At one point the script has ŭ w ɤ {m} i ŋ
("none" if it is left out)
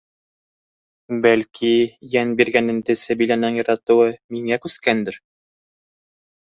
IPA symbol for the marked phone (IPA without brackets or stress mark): m